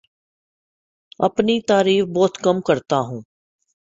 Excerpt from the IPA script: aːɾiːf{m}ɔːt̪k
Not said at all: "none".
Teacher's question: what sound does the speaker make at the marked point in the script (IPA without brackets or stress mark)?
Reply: b